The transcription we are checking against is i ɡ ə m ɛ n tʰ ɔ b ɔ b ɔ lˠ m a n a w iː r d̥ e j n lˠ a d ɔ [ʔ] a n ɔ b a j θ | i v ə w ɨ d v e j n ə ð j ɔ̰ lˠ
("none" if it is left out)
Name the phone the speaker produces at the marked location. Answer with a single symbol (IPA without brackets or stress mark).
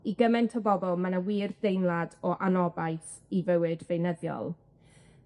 ʔ